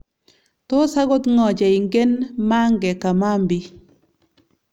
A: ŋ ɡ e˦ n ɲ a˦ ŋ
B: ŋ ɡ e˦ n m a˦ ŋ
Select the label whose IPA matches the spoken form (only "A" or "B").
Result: B